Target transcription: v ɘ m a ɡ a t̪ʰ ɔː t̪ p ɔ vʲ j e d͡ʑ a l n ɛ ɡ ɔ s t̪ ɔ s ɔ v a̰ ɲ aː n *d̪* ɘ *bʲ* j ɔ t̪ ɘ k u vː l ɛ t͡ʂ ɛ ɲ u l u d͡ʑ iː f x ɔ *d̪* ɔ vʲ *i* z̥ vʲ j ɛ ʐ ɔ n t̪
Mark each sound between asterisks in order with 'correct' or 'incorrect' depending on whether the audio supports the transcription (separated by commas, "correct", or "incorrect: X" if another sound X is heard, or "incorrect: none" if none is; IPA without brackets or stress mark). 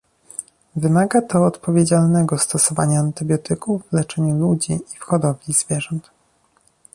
incorrect: t̪, correct, correct, correct